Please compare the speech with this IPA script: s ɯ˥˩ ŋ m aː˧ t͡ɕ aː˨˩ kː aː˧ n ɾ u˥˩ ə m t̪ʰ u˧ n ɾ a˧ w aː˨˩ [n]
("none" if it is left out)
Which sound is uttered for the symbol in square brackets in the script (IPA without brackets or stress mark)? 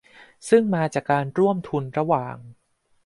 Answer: ŋ